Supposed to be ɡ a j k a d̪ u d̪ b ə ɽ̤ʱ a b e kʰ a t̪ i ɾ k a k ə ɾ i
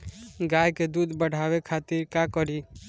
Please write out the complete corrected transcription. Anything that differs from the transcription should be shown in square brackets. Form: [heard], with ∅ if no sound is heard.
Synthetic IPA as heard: ɡ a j k [e] d̪ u d̪ b ə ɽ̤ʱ a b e kʰ a t̪ i ɾ k a k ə ɾ i